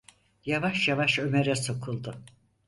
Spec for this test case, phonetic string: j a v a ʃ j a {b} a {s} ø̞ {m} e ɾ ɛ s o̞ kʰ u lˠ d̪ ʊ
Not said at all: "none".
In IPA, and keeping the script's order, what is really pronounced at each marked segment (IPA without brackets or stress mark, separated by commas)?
v, ʃ, m